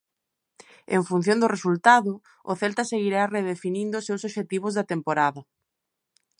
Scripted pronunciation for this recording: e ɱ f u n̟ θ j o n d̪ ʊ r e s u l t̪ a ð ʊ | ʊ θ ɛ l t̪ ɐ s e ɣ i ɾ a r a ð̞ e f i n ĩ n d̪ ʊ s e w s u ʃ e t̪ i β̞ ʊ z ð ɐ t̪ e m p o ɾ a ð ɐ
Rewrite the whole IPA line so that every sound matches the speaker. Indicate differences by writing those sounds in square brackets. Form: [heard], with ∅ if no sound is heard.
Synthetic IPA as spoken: e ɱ f u n̟ θ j o n d̪ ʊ r e s u l t̪ a ð ʊ | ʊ θ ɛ l t̪ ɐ s e ɣ i ɾ a r [e] ð̞ e f i n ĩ n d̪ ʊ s e w s [o] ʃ e t̪ i β̞ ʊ z ð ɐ t̪ e m p o ɾ a ð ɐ